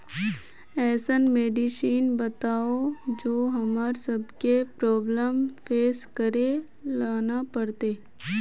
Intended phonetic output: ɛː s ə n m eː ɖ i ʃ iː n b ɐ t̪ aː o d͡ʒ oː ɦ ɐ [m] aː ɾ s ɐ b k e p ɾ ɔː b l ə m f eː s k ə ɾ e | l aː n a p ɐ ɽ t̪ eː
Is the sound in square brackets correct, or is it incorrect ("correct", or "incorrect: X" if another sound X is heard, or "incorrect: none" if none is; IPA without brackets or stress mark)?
correct